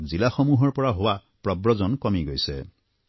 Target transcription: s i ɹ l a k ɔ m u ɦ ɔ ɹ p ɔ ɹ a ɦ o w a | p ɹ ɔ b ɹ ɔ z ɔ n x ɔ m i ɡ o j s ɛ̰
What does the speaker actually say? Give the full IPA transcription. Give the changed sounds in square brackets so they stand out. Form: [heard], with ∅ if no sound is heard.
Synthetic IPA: [z] i [∅] l a [x] ɔ m u ɦ ɔ ɹ p ɔ ɹ a ɦ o w a | p ɹ ɔ b ɹ ɔ z ɔ n [k] ɔ m i ɡ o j s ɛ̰